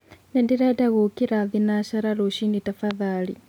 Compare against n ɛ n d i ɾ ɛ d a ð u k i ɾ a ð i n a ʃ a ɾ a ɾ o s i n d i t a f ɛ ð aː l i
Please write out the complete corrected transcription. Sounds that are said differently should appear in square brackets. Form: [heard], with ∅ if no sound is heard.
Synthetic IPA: n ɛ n d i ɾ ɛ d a [ɣ] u k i ɾ a ð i n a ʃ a ɾ a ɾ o [ʃ] i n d i t a f [a] ð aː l i